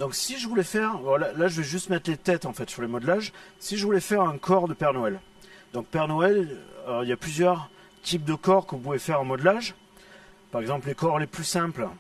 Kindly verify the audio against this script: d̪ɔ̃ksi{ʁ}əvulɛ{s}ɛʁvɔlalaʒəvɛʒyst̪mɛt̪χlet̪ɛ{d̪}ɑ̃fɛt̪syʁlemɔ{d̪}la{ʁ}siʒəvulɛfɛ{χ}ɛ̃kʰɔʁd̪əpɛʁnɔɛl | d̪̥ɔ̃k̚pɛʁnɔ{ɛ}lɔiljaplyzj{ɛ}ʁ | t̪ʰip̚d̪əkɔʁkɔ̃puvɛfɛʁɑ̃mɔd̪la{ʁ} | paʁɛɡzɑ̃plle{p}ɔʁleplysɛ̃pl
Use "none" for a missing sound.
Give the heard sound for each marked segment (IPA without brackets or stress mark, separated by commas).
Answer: ʒ, f, t̪, d̪, ʒ, ʁ, ɛ, œ, ʒ, k